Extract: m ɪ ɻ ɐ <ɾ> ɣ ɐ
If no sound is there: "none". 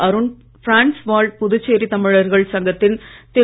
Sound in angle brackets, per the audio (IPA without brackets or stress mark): ɾ